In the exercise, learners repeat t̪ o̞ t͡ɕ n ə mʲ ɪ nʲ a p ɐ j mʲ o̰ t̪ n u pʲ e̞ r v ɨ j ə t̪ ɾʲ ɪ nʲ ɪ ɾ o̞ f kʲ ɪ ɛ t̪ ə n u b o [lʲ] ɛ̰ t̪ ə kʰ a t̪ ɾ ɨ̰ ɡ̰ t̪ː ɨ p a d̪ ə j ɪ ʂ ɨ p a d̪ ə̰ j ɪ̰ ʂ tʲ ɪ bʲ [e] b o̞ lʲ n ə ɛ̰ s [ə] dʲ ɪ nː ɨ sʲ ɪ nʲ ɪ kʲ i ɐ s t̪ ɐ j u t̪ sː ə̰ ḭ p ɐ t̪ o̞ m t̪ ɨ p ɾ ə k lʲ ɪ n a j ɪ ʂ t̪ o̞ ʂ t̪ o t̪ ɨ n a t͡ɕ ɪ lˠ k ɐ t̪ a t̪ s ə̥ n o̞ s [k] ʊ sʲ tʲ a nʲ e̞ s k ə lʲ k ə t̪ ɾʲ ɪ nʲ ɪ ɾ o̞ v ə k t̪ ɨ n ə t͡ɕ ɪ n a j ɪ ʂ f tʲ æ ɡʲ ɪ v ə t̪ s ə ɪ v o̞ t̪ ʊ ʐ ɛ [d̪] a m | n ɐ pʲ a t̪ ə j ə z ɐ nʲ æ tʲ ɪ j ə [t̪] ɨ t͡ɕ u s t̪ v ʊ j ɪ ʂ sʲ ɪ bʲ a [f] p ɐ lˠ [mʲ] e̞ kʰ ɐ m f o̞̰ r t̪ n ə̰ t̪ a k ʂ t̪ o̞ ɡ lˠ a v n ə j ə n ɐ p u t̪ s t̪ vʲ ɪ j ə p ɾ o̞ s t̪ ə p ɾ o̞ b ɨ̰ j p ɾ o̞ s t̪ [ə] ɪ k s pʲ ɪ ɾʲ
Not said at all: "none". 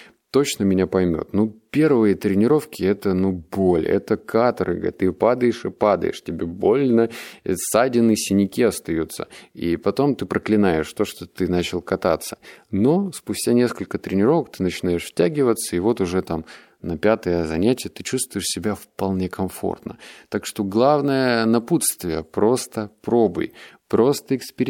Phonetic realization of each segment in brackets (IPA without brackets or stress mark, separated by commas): lʲ, e, a, p, t̪, t̪, f, nʲ, ə